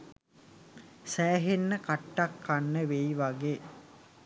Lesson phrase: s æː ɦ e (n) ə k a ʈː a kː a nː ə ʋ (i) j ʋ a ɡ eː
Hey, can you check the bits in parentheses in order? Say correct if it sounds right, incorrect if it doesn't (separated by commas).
incorrect, incorrect